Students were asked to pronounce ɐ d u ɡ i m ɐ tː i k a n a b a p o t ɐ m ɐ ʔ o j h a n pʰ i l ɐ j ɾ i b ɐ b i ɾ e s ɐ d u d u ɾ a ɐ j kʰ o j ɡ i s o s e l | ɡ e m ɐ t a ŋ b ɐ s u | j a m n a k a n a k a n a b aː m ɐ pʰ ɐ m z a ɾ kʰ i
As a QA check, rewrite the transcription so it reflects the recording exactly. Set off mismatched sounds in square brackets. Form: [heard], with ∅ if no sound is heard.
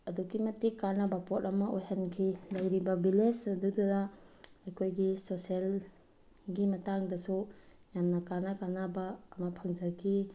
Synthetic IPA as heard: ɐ d u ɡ i m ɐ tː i k a n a b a p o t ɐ m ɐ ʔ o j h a n [kʰ] i l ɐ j ɾ i b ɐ b i [l] e s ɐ d u d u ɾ a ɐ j kʰ o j ɡ i s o s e l | ɡ [i] m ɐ t a ŋ [d] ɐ s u | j a m n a k a n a k a n a b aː m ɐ pʰ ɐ [ŋ] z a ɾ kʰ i